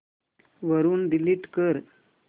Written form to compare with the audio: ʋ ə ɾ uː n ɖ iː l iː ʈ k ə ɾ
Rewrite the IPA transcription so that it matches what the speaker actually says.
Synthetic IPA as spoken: ʋ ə ɾ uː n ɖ i l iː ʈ k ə ɾ